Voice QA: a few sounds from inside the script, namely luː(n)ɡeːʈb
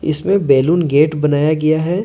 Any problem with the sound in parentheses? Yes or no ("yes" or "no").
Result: no